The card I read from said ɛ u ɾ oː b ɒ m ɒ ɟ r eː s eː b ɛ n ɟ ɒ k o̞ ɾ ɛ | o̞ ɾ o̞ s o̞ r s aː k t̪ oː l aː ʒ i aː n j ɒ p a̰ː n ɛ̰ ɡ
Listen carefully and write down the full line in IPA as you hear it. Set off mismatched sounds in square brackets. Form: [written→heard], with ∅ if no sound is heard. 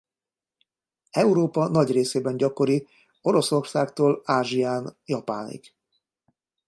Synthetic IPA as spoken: ɛ u ɾ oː [b→p] ɒ [m→n] ɒ ɟ r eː s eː b ɛ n ɟ ɒ k o̞ ɾ [ɛ→i] | o̞ ɾ o̞ s o̞ r s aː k t̪ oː l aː ʒ i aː n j ɒ p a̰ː n [ɛ̰→ḭ] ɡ